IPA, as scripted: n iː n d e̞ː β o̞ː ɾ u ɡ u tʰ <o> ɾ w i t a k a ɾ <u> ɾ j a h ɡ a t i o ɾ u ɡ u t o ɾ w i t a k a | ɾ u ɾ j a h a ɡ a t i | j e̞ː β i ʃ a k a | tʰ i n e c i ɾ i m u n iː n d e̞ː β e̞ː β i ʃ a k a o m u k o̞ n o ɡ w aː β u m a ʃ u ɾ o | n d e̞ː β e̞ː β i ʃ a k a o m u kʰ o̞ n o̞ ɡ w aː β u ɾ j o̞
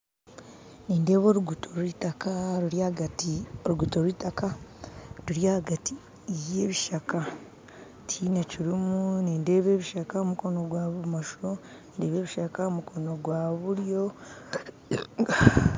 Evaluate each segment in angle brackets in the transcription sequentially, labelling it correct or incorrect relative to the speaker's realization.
correct, correct

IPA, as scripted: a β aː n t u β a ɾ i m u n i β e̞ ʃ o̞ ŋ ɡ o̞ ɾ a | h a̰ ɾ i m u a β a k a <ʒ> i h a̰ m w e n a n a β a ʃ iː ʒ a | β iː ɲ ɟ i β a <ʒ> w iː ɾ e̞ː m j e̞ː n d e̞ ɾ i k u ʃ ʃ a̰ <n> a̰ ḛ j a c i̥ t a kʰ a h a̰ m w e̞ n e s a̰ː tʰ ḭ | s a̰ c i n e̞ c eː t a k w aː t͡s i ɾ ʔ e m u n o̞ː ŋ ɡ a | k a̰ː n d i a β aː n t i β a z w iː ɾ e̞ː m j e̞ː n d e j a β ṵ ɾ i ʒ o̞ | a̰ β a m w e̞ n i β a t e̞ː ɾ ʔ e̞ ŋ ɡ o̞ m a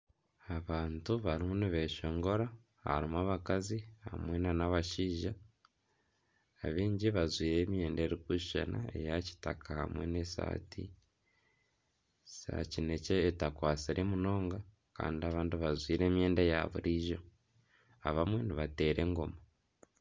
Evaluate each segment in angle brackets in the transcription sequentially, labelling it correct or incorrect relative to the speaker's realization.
incorrect: z, incorrect: z, correct

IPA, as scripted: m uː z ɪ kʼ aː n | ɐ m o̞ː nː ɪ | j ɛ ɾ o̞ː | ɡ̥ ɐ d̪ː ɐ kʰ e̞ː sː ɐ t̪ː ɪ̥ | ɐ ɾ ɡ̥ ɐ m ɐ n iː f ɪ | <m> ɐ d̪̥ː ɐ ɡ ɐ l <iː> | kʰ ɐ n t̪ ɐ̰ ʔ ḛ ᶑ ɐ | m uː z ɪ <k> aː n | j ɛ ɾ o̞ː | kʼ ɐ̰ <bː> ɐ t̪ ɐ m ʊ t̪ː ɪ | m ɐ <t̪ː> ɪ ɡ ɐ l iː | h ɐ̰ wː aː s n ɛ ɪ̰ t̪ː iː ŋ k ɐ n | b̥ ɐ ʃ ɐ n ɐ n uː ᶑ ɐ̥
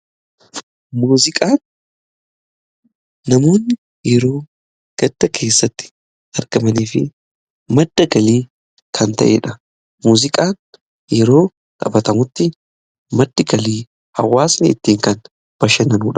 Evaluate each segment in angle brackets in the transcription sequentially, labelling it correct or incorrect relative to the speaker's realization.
correct, correct, incorrect: kʼ, incorrect: b, incorrect: d̪ː

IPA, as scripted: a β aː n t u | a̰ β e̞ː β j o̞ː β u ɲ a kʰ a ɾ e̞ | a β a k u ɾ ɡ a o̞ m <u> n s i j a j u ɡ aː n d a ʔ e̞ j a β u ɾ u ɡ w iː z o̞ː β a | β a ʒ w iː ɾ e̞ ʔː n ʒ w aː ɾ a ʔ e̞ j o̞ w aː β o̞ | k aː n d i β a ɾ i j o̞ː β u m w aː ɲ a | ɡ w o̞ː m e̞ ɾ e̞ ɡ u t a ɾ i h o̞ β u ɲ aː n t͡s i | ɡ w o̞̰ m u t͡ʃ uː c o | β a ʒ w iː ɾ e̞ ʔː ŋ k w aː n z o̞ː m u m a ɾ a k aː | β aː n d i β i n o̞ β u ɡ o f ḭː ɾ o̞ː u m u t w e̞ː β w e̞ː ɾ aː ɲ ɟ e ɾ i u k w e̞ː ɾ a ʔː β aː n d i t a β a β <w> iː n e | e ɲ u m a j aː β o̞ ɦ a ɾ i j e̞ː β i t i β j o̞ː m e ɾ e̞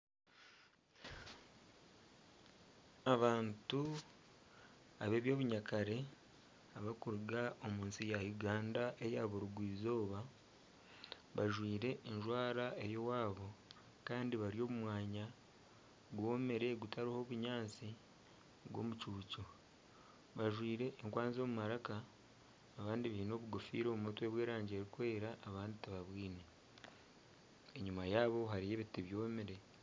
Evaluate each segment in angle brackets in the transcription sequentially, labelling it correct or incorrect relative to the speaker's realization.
incorrect: uː, correct

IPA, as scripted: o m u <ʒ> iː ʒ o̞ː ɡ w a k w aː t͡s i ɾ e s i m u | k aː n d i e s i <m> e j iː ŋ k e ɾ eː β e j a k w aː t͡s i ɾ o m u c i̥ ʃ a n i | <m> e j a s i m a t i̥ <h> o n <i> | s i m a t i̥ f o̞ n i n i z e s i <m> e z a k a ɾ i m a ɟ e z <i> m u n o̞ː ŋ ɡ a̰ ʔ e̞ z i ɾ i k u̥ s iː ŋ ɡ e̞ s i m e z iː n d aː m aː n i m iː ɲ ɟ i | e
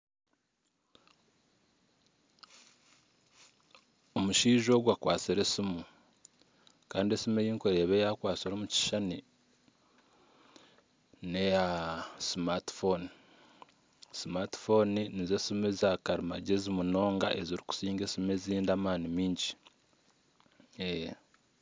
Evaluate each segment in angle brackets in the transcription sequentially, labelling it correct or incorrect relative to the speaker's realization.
incorrect: ʃ, correct, incorrect: n, incorrect: f, correct, correct, correct

